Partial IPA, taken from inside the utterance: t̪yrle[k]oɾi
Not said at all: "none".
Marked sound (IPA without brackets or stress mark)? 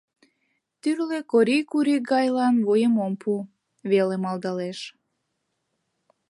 k